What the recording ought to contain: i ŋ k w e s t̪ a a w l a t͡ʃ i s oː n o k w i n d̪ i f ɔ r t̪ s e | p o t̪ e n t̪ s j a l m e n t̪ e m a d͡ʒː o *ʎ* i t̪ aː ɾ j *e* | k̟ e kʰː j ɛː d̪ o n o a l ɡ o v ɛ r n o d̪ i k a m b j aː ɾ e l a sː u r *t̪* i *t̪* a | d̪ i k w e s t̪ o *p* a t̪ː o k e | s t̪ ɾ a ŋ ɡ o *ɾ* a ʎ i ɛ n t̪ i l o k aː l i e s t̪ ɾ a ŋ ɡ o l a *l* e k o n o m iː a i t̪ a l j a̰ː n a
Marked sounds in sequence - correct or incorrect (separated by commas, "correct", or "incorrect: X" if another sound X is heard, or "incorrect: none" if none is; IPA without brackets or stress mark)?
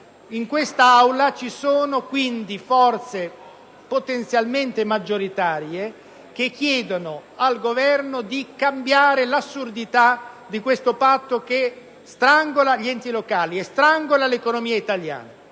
incorrect: ɾ, correct, incorrect: d̪, correct, correct, incorrect: l, correct